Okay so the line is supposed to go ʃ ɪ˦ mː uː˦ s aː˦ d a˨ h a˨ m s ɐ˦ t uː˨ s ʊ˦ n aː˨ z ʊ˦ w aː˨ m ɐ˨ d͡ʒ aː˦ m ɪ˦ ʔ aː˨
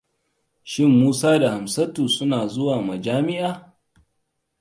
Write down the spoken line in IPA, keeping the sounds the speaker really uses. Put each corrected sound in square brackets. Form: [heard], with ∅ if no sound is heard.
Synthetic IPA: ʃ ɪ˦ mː uː˦ s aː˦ d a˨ h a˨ m s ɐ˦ t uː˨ s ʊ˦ n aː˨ z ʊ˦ w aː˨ m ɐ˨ d͡ʒ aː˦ m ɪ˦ ʔ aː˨

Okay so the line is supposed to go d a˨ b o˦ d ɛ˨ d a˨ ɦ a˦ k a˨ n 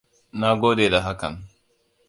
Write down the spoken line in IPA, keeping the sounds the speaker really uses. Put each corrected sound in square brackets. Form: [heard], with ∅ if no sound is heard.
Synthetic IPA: [n] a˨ [ɡ] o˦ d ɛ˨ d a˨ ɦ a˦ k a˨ n

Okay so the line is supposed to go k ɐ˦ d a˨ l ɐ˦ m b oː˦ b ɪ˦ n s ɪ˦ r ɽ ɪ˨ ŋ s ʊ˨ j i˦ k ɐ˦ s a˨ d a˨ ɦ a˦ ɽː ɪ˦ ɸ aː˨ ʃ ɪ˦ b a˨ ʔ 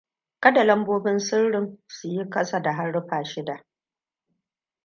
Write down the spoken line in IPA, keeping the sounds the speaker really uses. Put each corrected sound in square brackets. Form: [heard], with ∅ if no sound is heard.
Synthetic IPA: k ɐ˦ d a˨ l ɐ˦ m b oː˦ b ɪ˦ n s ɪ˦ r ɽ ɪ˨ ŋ s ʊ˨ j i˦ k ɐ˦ s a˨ d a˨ ɦ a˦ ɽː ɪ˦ ɸ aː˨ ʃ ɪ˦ [d] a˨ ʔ

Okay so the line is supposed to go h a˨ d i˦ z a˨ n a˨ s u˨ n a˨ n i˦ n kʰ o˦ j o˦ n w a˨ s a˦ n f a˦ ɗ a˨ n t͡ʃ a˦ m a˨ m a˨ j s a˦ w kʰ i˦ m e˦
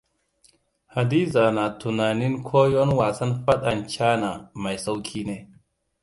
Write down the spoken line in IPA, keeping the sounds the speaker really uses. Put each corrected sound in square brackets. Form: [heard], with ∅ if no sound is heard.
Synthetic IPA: h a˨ d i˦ z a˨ n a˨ [t] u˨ n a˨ n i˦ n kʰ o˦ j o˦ n w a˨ s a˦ n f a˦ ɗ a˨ n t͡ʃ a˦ [n] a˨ m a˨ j s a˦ w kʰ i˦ [n] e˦

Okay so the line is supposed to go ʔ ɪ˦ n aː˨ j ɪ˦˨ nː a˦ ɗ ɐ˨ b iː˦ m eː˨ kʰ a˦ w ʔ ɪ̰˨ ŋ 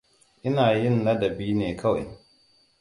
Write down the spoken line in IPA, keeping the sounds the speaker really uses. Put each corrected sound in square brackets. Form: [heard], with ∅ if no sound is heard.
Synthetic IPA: ʔ ɪ˦ n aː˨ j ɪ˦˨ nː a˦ [d] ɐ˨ b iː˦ [n] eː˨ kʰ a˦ w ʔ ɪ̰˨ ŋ

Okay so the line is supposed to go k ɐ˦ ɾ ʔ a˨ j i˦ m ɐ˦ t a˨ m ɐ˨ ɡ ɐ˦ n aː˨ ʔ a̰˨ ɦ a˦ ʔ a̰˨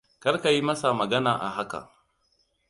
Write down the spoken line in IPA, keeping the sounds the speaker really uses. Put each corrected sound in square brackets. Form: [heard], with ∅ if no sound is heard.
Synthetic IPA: k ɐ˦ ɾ [k] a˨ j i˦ m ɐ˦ [s] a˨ m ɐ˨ ɡ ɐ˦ n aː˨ ʔ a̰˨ ɦ a˦ [k] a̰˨

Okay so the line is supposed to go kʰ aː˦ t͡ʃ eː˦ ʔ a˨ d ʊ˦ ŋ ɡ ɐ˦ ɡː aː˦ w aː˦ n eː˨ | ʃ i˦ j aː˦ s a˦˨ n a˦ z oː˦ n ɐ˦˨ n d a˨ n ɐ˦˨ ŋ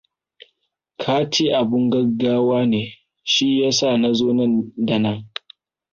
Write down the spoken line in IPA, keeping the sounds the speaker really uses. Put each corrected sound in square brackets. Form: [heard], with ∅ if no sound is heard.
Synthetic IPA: kʰ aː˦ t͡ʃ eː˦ ʔ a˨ [b] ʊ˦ ŋ ɡ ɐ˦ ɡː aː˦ w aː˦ n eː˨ | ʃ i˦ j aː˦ s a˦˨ n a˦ z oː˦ n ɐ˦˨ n d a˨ n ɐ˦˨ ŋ

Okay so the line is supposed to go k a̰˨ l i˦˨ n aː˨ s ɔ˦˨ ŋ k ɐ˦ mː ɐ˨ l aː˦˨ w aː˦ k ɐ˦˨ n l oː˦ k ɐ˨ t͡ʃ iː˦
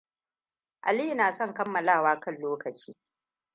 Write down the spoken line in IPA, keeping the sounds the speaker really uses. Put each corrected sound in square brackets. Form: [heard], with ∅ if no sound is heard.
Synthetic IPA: [ʔ] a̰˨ l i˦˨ n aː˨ s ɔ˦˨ ŋ k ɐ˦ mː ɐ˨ l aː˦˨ w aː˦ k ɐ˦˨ n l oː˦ k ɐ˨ t͡ʃ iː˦

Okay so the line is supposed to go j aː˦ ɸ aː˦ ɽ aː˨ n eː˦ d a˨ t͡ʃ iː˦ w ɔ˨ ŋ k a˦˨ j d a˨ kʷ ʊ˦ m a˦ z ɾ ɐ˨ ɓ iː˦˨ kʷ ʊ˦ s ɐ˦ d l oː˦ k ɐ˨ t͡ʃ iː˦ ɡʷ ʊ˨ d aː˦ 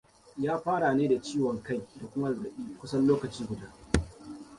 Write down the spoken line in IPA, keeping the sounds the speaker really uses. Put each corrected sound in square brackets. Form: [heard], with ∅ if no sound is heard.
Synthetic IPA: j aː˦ ɸ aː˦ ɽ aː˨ n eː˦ d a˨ t͡ʃ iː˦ w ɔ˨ ŋ k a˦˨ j d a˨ kʷ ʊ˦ m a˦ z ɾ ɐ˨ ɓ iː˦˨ kʷ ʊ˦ s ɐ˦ [n] l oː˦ k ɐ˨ t͡ʃ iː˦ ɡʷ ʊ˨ d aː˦

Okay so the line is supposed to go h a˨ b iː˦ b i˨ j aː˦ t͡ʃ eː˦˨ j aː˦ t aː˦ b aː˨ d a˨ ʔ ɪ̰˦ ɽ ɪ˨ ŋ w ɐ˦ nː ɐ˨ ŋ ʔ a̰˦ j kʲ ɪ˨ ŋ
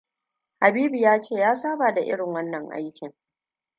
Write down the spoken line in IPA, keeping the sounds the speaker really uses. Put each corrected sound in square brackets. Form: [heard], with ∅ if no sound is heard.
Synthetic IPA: h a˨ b iː˦ b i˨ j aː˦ t͡ʃ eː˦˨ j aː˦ [s] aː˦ b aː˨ d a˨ ʔ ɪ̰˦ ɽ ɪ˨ ŋ w ɐ˦ nː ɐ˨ ŋ ʔ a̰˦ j kʲ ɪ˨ ŋ

